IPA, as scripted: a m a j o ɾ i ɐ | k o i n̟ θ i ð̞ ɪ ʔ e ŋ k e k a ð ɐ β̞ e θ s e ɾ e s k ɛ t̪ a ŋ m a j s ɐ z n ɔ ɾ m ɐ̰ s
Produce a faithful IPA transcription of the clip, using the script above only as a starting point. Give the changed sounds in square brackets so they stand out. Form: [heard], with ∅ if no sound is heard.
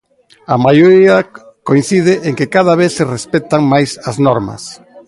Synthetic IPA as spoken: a m a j o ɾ i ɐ | k o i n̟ θ i ð̞ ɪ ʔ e ŋ k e k a ð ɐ β̞ e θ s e [r] e s [p] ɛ t̪ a ŋ m a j s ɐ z n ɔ ɾ m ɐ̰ s